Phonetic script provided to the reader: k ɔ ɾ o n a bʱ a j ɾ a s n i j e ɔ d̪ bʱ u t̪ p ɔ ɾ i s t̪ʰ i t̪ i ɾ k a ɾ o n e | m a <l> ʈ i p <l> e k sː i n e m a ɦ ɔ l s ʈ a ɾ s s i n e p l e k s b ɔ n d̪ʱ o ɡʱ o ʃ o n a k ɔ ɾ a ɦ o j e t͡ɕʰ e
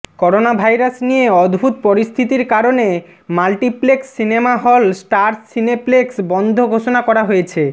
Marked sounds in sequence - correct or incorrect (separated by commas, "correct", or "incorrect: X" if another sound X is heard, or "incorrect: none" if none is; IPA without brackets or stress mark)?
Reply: correct, correct